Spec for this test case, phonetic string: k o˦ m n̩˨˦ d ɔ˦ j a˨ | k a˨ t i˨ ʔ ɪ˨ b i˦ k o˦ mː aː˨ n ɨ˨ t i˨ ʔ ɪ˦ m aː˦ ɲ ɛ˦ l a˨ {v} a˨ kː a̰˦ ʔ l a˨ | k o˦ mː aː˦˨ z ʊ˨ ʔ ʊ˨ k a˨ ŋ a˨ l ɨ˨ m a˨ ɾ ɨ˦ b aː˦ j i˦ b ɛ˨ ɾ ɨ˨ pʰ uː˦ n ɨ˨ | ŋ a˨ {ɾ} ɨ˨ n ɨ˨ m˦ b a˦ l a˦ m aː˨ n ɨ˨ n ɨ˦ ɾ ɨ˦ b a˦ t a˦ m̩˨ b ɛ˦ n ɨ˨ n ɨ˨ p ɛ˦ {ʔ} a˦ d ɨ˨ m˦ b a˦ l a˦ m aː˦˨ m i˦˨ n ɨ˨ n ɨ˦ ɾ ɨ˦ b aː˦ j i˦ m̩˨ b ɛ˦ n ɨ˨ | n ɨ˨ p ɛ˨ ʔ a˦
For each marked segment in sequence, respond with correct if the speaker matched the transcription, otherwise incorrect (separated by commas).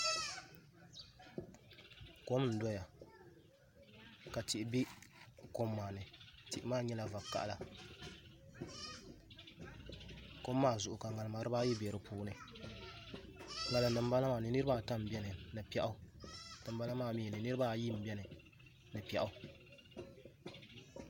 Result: correct, incorrect, correct